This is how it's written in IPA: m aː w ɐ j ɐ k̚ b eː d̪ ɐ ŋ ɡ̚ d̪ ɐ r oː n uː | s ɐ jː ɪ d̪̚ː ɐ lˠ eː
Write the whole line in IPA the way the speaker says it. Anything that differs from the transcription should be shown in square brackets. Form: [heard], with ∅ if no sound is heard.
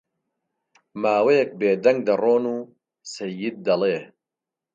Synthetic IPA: m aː w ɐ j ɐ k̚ b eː d̪ ɐ ŋ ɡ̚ d̪ ɐ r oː n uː | s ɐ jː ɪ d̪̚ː ɐ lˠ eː